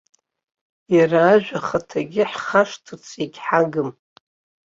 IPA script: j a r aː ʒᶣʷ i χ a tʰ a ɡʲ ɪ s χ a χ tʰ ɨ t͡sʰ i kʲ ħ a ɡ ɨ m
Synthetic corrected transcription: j a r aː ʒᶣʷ a χ a tʰ a ɡʲ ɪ ħ χ a ʂ tʰ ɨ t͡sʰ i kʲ ħ a ɡ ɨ m